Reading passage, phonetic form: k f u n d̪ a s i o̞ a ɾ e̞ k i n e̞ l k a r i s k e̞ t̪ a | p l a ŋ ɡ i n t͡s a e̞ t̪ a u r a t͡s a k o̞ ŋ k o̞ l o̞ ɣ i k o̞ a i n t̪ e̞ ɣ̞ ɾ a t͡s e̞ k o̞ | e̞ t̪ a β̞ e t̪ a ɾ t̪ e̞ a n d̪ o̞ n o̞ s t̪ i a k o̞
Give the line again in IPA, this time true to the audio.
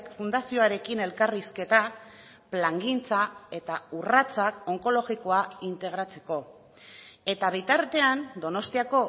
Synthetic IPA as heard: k f u n d̪ a s i o̞ a ɾ e̞ k i n e̞ l k a r i s k e̞ t̪ a | p l a ŋ ɡ i n t͡s a e̞ t̪ a u r a t͡s a k o̞ ŋ k o̞ l o̞ ɣ i k o̞ a i n t̪ e̞ ɣ̞ ɾ a t͡s e̞ k o̞ | e̞ t̪ a β̞ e t̪ a ɾ t̪ e̞ a n d̪ o̞ n o̞ s t̪ i a k o̞